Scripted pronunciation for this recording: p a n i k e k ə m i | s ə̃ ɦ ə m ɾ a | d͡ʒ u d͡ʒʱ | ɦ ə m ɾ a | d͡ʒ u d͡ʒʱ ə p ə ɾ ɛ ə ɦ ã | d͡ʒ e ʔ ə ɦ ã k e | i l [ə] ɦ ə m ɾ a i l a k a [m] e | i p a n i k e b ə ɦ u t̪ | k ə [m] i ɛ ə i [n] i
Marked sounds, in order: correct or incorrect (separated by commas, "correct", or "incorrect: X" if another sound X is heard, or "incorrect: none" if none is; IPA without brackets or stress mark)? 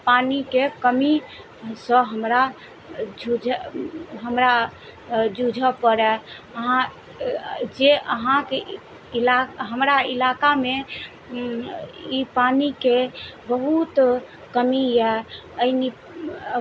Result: incorrect: a, correct, correct, correct